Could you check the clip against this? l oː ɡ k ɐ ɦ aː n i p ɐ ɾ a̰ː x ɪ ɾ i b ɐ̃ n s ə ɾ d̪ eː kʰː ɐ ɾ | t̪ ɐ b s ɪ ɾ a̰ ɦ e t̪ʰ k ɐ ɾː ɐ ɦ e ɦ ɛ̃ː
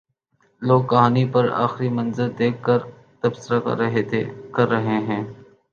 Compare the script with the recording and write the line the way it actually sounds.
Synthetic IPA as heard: l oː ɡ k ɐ ɦ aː n i p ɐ ɾ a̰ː x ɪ ɾ i m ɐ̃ n z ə ɾ d̪ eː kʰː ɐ ɾ | t̪ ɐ b s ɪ ɾ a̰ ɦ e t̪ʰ k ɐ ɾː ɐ ɦ e ɦ ɛ̃ː